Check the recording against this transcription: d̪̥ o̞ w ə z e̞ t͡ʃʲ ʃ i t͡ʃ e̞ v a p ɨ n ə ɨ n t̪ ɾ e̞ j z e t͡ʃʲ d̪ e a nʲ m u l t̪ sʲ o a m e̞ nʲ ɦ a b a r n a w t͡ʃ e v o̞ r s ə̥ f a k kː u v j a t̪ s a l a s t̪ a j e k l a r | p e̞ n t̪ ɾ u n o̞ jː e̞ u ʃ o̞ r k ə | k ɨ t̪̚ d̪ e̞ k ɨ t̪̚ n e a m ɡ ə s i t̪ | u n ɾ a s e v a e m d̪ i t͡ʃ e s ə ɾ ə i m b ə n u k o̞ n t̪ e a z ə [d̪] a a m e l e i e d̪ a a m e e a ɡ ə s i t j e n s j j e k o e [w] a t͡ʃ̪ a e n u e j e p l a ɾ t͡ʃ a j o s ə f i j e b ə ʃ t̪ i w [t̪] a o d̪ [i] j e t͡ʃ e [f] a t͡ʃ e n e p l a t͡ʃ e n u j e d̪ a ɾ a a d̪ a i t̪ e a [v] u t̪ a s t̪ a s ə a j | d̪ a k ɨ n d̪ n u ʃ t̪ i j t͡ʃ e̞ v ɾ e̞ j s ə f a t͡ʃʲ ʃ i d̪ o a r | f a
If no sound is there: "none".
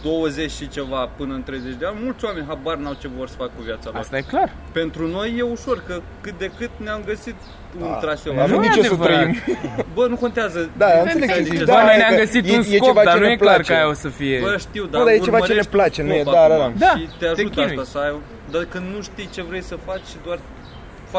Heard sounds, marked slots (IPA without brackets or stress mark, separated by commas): d̪, v, d̪, a, v, ʒ